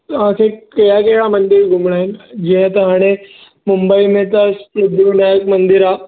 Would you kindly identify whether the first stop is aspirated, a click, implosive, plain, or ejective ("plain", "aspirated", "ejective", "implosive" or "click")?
plain